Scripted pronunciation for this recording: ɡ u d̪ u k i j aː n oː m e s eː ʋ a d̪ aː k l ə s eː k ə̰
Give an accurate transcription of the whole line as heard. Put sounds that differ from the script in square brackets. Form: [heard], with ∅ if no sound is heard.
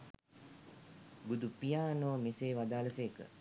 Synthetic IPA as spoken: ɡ u d̪ u [p] i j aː n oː m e s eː ʋ a d̪ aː [∅] l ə s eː k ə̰